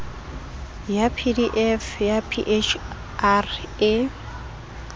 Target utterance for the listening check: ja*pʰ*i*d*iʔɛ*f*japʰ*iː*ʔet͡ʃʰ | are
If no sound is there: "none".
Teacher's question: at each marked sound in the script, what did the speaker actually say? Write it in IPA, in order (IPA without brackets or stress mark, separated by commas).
pʰ, d, f, i